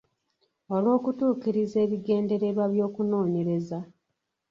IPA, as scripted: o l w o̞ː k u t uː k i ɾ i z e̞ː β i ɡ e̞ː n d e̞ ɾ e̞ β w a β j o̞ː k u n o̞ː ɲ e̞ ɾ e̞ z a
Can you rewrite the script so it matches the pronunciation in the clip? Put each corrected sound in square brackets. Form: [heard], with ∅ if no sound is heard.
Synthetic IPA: o l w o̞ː k u t uː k i ɾ i z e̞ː β i ɡ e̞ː n d e̞ ɾ e̞ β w a β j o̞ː k u n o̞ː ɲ e̞ ɾ e̞ z a